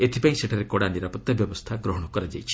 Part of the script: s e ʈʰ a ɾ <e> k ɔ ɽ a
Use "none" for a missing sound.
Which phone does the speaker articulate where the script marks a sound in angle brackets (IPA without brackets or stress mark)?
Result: e